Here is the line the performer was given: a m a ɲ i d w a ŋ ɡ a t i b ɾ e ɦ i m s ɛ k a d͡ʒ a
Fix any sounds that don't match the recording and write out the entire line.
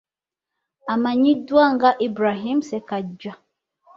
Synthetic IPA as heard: a m a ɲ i d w a ŋ ɡ a ʔ i b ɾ a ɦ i m s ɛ k a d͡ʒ a